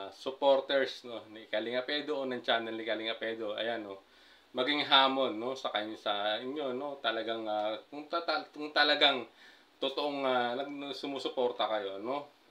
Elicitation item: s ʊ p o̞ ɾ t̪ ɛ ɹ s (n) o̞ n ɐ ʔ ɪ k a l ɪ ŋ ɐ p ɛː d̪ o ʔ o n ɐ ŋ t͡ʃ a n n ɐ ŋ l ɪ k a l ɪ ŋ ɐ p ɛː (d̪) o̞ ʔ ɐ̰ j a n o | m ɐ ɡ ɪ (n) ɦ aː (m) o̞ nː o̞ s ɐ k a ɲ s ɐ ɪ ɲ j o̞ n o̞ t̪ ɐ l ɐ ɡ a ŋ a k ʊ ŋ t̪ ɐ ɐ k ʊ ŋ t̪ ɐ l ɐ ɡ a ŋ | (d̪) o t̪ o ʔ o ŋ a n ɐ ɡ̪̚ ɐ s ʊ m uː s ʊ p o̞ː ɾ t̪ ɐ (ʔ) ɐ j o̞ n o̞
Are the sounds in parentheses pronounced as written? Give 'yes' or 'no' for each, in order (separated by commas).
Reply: yes, yes, no, yes, no, no